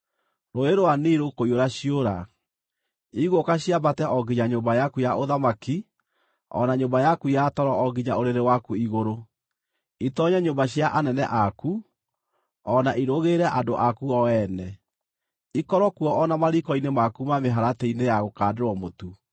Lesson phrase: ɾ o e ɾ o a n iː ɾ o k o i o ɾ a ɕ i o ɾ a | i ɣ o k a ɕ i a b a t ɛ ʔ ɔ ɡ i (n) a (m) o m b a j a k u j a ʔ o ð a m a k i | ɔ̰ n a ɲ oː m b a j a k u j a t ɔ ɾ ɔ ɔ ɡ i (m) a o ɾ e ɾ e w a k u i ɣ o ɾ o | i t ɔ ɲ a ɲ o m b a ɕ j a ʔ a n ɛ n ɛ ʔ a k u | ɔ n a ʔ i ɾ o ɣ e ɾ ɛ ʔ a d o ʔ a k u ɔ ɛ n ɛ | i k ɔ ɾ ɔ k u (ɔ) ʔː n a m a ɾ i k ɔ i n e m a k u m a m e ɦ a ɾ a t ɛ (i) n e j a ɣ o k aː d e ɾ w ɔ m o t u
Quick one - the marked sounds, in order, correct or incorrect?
incorrect: ɲ, incorrect: ɲ, incorrect: ɲ, correct, correct

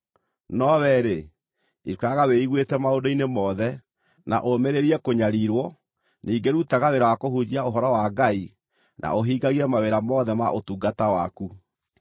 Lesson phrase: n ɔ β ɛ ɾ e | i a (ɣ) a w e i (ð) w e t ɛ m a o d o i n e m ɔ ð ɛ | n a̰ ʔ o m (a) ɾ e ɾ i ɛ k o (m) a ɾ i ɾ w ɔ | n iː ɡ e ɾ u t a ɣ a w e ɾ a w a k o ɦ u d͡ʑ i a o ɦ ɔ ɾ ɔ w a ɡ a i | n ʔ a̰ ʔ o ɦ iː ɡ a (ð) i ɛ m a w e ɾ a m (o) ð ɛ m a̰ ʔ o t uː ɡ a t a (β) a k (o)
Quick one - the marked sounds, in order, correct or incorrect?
correct, incorrect: ɣ, incorrect: e, incorrect: ɲ, incorrect: ɣ, incorrect: ɔ, incorrect: w, incorrect: u

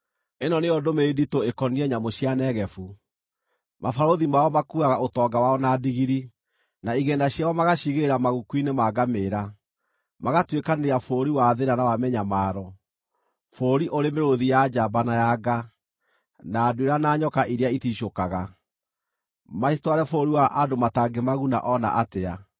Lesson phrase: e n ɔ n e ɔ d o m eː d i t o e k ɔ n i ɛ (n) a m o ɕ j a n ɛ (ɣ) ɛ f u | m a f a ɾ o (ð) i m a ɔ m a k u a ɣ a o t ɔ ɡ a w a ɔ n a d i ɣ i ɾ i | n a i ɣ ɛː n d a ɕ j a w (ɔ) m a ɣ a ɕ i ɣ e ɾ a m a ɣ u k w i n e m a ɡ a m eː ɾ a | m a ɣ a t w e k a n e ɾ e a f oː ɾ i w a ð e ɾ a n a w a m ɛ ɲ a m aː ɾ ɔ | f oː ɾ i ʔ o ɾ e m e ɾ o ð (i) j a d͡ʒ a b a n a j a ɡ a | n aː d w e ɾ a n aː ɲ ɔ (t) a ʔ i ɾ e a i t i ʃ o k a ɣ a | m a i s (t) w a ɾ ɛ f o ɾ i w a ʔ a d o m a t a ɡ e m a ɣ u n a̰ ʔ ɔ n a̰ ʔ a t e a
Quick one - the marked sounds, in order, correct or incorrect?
incorrect: ɲ, correct, correct, correct, correct, incorrect: k, correct

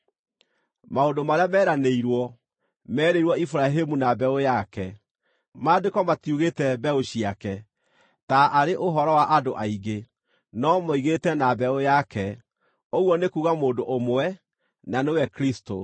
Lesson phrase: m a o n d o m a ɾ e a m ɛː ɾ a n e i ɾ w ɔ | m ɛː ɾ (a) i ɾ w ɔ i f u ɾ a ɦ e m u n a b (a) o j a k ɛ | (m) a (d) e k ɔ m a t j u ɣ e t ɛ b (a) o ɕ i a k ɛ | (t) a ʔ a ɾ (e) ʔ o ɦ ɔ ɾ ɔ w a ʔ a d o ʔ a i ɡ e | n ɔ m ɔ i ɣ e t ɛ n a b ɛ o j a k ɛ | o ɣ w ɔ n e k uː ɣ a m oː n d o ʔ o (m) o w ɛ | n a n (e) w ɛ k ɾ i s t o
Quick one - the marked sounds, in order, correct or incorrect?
incorrect: e, incorrect: ɛ, correct, correct, incorrect: ɛ, correct, correct, correct, correct

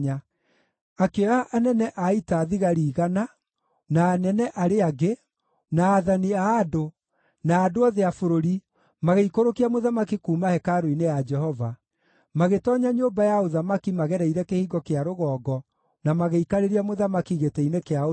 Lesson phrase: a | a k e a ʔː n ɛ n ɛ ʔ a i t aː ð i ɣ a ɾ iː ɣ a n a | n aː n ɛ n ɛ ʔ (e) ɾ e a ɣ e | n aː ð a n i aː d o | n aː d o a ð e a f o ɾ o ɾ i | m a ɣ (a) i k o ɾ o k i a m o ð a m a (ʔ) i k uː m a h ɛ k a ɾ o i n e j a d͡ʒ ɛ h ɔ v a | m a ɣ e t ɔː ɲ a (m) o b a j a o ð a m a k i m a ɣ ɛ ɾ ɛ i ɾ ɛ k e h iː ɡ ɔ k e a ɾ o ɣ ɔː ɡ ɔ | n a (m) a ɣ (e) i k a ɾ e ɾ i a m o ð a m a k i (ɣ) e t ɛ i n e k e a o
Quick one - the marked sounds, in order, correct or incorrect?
incorrect: a, incorrect: e, incorrect: k, incorrect: ɲ, correct, correct, correct

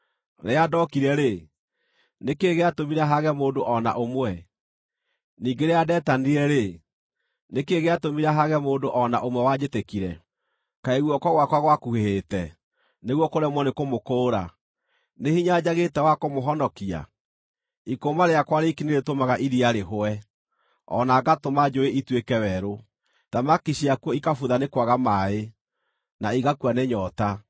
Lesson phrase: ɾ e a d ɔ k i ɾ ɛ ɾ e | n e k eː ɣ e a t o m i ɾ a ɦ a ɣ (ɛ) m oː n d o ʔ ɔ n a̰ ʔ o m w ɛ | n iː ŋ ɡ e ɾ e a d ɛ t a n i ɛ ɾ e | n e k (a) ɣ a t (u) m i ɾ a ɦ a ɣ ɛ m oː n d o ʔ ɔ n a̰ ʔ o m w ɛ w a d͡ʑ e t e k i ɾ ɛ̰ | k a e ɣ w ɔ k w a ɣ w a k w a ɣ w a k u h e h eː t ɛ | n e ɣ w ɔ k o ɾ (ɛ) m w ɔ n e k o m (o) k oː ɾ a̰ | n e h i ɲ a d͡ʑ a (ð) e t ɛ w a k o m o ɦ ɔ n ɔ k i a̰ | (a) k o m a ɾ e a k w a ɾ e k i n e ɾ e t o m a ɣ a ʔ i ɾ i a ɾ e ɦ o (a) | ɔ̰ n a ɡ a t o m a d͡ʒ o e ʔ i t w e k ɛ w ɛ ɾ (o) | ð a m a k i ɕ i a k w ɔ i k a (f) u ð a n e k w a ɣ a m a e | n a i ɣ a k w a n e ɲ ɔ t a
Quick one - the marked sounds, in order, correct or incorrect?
correct, incorrect: e, incorrect: o, correct, correct, incorrect: ɣ, incorrect: i, incorrect: ɛ, correct, correct

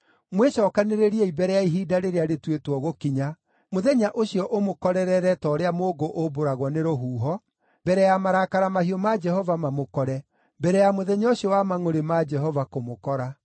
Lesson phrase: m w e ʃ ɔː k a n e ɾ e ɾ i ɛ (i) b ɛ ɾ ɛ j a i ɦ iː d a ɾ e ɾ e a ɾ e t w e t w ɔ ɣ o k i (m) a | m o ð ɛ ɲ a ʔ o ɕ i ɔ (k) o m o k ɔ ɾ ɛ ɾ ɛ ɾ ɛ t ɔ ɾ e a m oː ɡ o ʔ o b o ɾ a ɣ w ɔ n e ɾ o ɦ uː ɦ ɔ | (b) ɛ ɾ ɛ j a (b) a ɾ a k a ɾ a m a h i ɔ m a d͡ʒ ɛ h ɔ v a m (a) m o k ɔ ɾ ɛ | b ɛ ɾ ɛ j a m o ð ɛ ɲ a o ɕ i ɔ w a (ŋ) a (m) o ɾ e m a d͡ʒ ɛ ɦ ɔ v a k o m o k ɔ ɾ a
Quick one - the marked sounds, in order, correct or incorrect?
correct, incorrect: ɲ, incorrect: ʔ, correct, incorrect: m, correct, incorrect: m, incorrect: ŋ

